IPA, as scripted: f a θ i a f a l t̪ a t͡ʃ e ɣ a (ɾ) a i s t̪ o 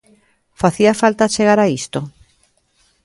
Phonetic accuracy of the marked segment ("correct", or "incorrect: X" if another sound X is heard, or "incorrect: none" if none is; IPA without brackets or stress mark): correct